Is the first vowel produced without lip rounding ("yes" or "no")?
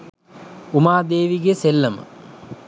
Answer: no